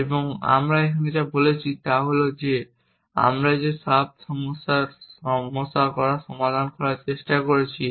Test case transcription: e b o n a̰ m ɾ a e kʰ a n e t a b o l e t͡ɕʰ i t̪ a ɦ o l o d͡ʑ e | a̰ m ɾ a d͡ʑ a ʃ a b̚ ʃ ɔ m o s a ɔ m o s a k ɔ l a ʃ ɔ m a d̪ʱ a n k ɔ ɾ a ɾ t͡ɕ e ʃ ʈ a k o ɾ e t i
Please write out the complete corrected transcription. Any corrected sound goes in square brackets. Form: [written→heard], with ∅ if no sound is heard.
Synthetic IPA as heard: e b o [n→ŋ] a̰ m ɾ a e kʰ a n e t a b o l e t͡ɕʰ i t̪ a ɦ o l o d͡ʑ e | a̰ m ɾ a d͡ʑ [a→e] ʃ a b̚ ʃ ɔ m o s a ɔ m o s a k ɔ [l→ɾ] a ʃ ɔ m a d̪ʱ a n k ɔ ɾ a ɾ t͡ɕ e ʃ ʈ a k o ɾ e [t→t͡ɕʰ] i